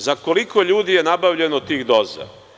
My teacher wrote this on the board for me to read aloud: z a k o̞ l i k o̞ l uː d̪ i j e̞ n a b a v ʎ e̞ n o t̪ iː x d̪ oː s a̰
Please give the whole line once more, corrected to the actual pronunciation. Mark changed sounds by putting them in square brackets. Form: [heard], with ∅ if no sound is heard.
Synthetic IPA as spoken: z a k o̞ l i k o̞ [ʎ] uː d̪ i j e̞ n a b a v ʎ e̞ n o t̪ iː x d̪ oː [z] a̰